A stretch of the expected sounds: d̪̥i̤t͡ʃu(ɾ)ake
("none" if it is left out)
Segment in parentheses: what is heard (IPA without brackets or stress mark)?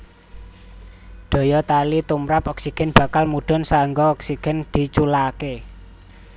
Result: l